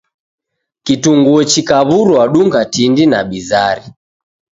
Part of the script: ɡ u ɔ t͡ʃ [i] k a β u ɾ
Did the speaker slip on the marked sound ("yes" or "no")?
no